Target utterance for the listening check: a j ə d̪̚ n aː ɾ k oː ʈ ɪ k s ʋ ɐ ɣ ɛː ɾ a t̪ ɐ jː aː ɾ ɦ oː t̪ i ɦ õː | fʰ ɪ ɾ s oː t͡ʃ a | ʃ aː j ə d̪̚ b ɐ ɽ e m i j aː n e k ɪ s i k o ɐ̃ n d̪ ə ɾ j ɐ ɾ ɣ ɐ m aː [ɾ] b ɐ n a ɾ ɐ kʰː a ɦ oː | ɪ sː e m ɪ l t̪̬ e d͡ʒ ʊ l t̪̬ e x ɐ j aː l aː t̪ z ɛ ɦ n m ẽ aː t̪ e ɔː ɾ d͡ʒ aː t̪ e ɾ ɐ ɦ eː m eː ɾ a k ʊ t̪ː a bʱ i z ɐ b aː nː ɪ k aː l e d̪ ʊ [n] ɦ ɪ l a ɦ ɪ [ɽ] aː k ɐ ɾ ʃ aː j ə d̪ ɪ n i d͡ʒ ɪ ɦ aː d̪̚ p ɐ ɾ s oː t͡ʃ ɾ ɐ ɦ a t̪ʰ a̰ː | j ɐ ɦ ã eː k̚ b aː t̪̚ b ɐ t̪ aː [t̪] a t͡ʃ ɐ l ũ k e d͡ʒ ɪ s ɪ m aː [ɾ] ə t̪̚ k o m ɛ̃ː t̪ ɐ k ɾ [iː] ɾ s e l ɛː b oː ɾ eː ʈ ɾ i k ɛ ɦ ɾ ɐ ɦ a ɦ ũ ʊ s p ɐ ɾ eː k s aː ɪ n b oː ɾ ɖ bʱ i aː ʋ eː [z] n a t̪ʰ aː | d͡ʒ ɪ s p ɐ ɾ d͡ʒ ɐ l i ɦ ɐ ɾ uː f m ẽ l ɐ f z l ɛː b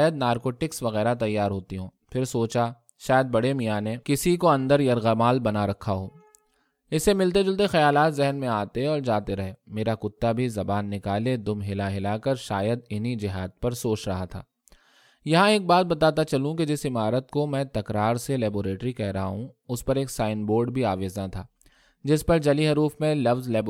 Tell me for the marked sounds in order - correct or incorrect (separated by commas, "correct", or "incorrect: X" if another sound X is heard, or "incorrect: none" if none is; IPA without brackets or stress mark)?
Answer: incorrect: l, incorrect: m, incorrect: l, correct, correct, incorrect: aː, correct